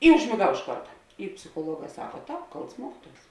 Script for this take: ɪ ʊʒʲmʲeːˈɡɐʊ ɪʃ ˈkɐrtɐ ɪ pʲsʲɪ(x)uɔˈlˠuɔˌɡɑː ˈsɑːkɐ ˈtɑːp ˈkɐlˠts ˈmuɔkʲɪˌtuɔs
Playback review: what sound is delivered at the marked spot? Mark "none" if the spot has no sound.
x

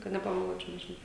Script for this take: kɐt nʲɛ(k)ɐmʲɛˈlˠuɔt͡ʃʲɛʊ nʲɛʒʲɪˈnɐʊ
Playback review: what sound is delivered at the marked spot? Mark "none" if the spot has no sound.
p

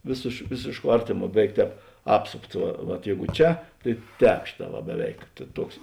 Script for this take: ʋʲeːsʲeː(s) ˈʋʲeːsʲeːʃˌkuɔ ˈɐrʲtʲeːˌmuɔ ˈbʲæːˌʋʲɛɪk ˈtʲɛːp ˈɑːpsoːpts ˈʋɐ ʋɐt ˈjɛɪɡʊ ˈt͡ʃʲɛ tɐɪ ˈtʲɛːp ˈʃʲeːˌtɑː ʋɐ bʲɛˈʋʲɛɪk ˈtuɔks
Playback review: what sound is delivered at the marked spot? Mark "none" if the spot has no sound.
ʃ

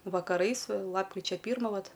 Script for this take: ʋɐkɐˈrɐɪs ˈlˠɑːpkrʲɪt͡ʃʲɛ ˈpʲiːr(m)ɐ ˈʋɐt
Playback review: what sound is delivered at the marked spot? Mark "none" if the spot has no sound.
m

